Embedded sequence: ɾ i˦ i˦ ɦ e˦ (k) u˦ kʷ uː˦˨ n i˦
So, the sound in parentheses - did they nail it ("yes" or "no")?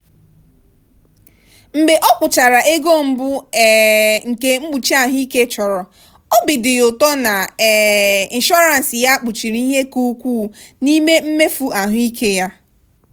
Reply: yes